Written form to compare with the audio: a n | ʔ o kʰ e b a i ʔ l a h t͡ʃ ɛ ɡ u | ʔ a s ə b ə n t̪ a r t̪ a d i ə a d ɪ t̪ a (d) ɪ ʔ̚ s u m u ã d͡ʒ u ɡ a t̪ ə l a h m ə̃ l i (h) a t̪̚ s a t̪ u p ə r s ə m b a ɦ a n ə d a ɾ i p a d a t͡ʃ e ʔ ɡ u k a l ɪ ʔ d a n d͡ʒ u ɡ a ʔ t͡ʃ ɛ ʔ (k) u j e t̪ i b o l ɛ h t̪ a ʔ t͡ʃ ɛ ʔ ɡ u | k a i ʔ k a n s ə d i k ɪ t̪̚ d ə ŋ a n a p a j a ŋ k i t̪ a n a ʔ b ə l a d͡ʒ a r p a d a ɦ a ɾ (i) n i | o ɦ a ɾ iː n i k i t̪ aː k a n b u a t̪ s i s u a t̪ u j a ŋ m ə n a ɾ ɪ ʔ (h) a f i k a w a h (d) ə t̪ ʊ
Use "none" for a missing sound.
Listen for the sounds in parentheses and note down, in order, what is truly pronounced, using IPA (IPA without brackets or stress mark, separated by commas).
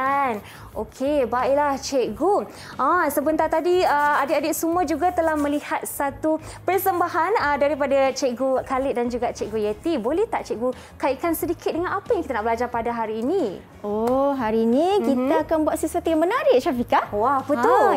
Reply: d, h, ɡ, iː, ʃ, b